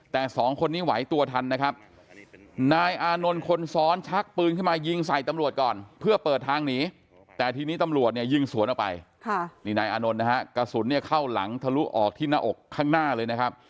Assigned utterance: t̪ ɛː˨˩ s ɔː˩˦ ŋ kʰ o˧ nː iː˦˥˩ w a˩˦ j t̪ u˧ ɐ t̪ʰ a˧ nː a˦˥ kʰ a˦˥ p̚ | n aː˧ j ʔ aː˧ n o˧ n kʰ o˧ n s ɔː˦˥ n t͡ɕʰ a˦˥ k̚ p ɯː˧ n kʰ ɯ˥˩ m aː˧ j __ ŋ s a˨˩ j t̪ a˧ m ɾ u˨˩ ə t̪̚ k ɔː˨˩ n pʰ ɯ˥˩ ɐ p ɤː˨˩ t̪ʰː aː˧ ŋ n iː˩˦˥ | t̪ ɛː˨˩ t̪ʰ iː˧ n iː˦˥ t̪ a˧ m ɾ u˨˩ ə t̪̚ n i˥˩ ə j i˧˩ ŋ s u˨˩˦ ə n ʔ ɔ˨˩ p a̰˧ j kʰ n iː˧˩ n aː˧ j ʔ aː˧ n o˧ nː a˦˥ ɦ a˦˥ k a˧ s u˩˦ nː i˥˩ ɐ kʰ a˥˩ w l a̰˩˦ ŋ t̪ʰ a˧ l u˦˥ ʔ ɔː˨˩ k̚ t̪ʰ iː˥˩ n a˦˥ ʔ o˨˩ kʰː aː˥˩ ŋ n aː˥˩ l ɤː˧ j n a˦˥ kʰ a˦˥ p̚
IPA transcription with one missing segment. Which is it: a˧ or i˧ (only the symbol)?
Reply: i˧